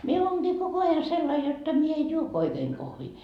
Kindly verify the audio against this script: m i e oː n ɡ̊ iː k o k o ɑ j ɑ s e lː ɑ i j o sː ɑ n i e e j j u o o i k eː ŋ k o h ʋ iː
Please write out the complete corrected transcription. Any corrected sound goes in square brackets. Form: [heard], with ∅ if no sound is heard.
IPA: m i e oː n ɡ̊ iː k o k o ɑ j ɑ s e lː ɑ i j o [tː] ɑ [m] i e e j j u o o i k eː ŋ k o h ʋ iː